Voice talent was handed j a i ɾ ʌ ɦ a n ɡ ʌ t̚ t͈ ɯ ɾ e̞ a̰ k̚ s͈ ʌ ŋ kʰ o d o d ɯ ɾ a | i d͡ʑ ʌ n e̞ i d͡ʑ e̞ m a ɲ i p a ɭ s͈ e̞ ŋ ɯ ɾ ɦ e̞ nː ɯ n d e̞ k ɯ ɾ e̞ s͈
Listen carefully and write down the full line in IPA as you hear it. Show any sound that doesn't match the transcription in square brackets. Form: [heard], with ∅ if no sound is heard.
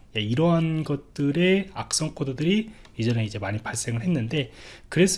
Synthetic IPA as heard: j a i ɾ ʌ ɦ a n ɡ ʌ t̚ t͈ ɯ ɾ e̞ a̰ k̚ s͈ ʌ ŋ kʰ o d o d ɯ ɾ [i] | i d͡ʑ ʌ n e̞ i d͡ʑ e̞ m a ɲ i p a ɭ s͈ e̞ ŋ ɯ [ɭ] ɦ e̞ nː ɯ n d e̞ k ɯ ɾ e̞ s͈

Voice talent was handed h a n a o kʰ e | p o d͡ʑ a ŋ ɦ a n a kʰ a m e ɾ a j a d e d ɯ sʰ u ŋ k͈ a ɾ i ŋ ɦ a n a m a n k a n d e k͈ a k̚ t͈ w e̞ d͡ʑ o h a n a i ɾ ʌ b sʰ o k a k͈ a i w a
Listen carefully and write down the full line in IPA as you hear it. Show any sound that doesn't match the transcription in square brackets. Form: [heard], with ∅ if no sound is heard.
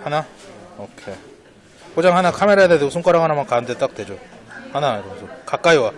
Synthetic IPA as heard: h a n a o kʰ e | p o d͡ʑ a ŋ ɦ a n a kʰ a m e ɾ a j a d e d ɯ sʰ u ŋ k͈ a ɾ [a] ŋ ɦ a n a m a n k a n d e [t͈] a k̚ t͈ w e̞ d͡ʑ o h a n a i ɾ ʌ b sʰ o k a k͈ a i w a

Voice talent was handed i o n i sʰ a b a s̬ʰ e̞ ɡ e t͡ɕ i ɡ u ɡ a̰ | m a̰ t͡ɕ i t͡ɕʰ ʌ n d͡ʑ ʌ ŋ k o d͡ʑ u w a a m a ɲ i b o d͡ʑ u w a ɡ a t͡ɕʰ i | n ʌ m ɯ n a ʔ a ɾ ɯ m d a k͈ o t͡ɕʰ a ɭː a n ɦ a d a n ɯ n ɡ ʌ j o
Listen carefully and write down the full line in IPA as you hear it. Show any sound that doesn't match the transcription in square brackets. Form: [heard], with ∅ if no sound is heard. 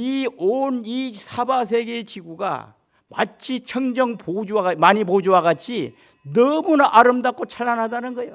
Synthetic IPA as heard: i o n i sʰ a b a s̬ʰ e̞ ɡ e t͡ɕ i ɡ u ɡ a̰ | m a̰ [t͡ɕʰ] i t͡ɕʰ ʌ [ŋ] d͡ʑ ʌ ŋ [p] o d͡ʑ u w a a m a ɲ i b o d͡ʑ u w a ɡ a t͡ɕʰ i | n ʌ m [u] n a ʔ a ɾ ɯ m d a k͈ o t͡ɕʰ a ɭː a n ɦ a d a n ɯ n ɡ ʌ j o

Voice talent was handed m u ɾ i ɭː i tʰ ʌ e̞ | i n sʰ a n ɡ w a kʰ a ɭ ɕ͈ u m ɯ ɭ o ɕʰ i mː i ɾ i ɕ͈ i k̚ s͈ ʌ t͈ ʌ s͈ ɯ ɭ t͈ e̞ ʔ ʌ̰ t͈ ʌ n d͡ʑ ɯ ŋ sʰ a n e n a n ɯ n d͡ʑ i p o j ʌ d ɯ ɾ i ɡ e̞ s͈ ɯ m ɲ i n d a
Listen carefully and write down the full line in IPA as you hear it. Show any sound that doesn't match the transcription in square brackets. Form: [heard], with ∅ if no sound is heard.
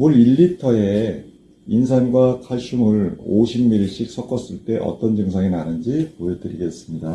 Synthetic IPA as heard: m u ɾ i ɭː i tʰ ʌ e̞ | i n sʰ a n ɡ w a kʰ a ɭ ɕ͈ u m ɯ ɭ o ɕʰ i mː i ɾ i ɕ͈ i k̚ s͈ ʌ [k͈] ʌ s͈ ɯ ɭ t͈ e̞ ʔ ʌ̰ t͈ ʌ n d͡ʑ ɯ ŋ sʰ a [ŋ] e n a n ɯ n d͡ʑ i p o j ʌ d ɯ ɾ i ɡ e̞ s͈ ɯ m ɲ i [∅] d a

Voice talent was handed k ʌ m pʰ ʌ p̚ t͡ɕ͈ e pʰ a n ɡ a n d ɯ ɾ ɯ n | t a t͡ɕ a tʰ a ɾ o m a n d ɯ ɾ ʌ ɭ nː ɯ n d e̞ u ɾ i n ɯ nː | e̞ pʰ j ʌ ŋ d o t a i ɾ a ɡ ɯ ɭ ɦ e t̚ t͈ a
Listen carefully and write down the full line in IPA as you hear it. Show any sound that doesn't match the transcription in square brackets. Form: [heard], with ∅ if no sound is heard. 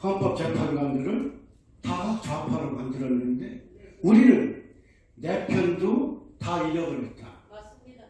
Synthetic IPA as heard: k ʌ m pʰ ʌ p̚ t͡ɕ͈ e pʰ a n ɡ a n d ɯ ɾ ɯ n | t a t͡ɕ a [pʰ] a ɾ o m a n d ɯ ɾ ʌ [∅] nː ɯ n d e̞ u ɾ i n ɯ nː | e̞ pʰ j ʌ [n] d o t a i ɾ [ʌ] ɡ ɯ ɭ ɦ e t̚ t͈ a

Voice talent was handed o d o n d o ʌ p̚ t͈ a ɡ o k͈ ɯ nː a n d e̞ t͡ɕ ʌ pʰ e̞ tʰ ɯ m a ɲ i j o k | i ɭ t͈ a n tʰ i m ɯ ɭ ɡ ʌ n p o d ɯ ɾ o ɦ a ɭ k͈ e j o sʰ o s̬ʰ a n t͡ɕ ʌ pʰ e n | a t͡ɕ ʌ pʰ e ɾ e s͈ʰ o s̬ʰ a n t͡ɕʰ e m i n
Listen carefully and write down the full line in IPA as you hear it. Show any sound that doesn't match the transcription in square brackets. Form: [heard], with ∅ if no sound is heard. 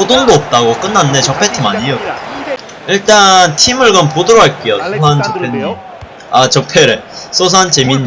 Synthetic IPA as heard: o d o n d o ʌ p̚ t͈ a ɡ o k͈ ɯ nː a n d e̞ t͡ɕ ʌ pʰ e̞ tʰ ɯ m a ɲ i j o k | i ɭ t͈ a n tʰ i m ɯ ɭ ɡ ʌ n p o d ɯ ɾ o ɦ a ɭ k͈ e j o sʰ o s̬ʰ a n t͡ɕ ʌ pʰ e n | a t͡ɕ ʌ pʰ e ɾ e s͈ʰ o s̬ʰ a n [t͡ɕ] e m i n

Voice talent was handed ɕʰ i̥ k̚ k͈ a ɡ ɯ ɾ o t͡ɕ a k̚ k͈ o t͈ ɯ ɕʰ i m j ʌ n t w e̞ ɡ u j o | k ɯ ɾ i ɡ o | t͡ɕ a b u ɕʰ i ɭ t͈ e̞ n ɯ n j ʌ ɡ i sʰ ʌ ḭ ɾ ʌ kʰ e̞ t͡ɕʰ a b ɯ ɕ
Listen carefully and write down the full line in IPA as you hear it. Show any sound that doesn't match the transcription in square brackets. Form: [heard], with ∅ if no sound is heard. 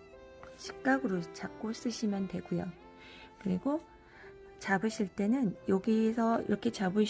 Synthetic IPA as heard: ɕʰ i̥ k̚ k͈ a ɡ ɯ ɾ o t͡ɕ a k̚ k͈ o [s͈] ɯ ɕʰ i m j ʌ n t w e̞ ɡ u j o | k ɯ ɾ i ɡ o | t͡ɕ a b [ɯ] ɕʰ i ɭ t͈ e̞ n ɯ n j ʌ ɡ i sʰ ʌ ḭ ɾ ʌ kʰ e̞ [t͡ɕ] a b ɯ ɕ

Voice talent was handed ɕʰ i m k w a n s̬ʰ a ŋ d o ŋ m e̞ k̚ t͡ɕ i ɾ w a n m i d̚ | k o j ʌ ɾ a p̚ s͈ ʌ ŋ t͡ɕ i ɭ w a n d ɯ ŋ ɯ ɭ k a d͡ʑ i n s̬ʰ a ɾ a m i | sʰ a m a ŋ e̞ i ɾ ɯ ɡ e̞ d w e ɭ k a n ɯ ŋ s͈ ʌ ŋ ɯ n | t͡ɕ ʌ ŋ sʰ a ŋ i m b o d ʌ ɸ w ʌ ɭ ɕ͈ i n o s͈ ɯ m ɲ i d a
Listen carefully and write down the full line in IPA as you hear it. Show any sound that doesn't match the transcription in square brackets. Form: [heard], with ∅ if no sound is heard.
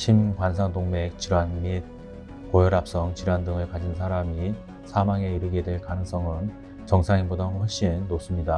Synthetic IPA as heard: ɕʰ i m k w a n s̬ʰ a ŋ d o ŋ m e̞ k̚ t͡ɕ i ɾ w a n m i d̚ | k o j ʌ ɾ a p̚ s͈ ʌ ŋ t͡ɕ i [ɾ] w a n d ɯ ŋ ɯ ɭ k a d͡ʑ i n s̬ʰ a ɾ a m i | sʰ a m a ŋ e̞ i ɾ ɯ ɡ e̞ d w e ɭ k a n ɯ ŋ s͈ ʌ ŋ ɯ n | t͡ɕ ʌ ŋ sʰ a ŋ i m b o d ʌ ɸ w ʌ ɭ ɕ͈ i [nː] o s͈ ɯ m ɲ i d a

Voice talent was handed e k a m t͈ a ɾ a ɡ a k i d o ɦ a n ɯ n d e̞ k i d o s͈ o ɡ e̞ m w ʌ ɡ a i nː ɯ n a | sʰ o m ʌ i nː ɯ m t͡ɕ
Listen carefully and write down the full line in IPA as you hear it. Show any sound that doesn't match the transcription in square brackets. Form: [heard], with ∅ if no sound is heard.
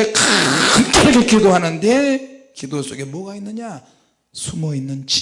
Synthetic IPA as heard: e k a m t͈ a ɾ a ɡ [e] k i d o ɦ a n ɯ n d e̞ k i d o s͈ o ɡ e̞ m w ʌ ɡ a i nː ɯ [ɲ] a | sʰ [u] m ʌ i nː ɯ [n] t͡ɕ

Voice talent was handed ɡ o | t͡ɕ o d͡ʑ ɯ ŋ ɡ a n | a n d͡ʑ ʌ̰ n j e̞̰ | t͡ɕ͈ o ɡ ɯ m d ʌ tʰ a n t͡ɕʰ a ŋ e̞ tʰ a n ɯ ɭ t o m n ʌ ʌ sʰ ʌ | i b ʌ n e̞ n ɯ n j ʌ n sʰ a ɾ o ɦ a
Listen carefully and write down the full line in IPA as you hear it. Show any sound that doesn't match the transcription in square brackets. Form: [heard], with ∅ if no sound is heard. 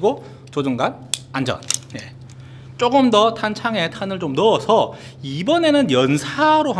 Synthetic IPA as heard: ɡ o | t͡ɕ o d͡ʑ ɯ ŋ ɡ a n | a n d͡ʑ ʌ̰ n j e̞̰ | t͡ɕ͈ o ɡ ɯ m d ʌ tʰ a n t͡ɕʰ a ŋ e̞ tʰ a n ɯ ɭ [t͡ɕ] o m n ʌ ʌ sʰ ʌ | i b ʌ n e̞ n ɯ n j ʌ n sʰ a ɾ o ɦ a

